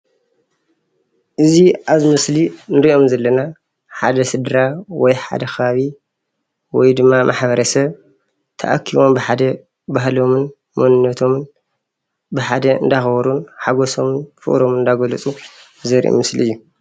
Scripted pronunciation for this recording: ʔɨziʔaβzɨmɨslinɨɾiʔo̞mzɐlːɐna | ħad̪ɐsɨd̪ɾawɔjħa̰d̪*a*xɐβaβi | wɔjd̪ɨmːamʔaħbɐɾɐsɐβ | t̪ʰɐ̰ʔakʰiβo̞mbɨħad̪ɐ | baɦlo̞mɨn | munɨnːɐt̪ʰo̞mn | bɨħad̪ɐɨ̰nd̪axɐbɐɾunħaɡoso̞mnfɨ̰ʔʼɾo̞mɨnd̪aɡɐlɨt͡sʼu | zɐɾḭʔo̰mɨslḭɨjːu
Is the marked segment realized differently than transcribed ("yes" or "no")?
yes